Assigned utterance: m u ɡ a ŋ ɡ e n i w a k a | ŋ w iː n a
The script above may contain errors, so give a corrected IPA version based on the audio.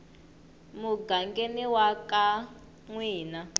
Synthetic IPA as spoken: m u ɡ a ŋ ɡ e n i w a k a | ŋ w iː n a

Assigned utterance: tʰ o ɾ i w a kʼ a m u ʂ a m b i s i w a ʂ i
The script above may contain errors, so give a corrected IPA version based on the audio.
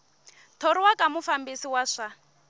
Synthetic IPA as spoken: tʰ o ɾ i w a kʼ a m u f a m b i s i w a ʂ a

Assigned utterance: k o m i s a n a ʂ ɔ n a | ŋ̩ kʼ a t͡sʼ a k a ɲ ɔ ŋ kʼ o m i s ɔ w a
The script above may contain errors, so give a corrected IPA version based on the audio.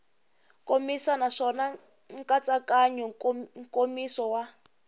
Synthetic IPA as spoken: k o m i s a n a ʂ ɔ n a | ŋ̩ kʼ a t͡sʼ a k a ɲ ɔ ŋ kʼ o m i s ɔ w a

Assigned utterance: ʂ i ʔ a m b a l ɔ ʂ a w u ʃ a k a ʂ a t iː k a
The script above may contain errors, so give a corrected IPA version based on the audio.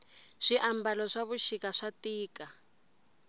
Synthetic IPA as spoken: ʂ i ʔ a m b a l ɔ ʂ a β u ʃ i k a ʂ a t iː k a

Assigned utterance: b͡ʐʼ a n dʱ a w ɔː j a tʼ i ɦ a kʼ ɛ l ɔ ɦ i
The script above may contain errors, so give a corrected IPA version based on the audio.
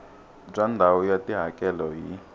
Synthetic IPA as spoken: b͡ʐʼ a n dʱ a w ɔ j a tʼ i ɦ a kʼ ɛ l ɔ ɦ i

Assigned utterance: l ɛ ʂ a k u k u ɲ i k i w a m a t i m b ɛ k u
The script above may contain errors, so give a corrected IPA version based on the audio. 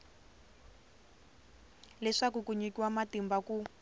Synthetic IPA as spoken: l ɛ ʂ a k u k u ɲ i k i w a m a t i m b a k u

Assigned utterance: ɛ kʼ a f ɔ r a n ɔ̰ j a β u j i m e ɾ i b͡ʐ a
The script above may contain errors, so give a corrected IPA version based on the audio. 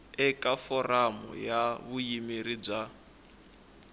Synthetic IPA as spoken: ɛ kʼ a f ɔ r a m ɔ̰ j a β u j i m i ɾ i b͡ʐ a

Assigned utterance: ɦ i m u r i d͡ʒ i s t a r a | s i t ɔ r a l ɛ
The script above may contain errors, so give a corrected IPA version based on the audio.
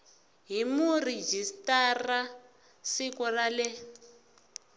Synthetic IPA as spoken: ɦ i m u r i d͡ʒ i s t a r a | s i k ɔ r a l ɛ

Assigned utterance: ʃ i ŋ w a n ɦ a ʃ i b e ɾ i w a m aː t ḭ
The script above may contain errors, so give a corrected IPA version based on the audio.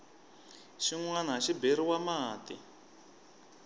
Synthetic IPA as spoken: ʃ i ŋ w a n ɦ a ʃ i b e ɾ i w a m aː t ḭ

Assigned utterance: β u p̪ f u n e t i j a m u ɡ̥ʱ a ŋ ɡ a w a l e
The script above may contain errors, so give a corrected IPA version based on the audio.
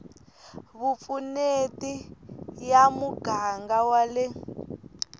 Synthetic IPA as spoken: β u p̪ f u n e t i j a m u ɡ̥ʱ a ŋ ɡ a w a l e

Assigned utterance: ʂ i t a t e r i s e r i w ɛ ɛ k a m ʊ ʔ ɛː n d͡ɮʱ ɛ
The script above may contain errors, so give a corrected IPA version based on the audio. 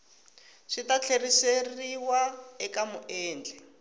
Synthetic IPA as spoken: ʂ i t a t͡ɬʰ e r i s e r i w a ɛ k a m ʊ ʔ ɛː n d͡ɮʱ ɛ

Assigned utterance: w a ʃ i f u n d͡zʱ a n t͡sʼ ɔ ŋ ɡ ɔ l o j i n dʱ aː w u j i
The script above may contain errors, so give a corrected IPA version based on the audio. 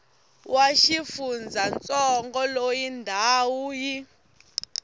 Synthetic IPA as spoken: w a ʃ i f u n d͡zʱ a n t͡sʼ ɔ ŋ ɡ ɔ l o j i n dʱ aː w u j i

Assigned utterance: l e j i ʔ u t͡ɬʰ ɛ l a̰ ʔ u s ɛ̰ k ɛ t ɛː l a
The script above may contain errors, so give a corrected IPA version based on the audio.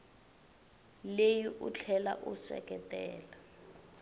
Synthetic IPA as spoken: l e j i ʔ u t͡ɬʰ ɛ l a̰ ʔ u s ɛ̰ k ɛ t ɛː l a

